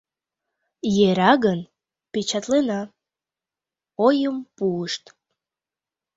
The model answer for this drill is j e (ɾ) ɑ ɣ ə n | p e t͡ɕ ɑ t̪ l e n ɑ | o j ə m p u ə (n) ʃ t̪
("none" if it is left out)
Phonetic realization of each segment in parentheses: ɾ, none

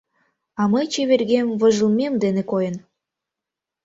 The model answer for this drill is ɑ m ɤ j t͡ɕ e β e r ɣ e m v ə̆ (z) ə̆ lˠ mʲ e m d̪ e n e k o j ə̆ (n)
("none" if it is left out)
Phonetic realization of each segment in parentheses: ʒ, n

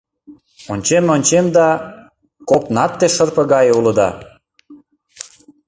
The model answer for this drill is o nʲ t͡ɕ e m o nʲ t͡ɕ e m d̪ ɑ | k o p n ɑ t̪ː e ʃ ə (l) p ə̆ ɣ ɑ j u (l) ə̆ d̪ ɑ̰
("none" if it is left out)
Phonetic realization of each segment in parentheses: r, l

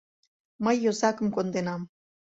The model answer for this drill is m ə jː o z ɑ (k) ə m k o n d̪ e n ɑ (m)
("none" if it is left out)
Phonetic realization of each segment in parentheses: k, m

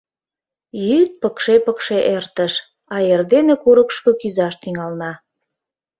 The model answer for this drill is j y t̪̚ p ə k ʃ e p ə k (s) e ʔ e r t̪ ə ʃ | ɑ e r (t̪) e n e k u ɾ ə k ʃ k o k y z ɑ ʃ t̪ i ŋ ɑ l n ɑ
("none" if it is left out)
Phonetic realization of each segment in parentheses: ʃ, d̪

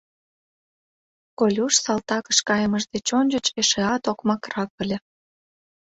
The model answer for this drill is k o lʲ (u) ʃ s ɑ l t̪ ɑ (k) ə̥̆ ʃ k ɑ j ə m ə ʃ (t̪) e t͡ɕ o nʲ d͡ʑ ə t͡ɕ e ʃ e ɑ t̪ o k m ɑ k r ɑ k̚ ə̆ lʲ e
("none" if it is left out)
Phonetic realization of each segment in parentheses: u, k, d̪

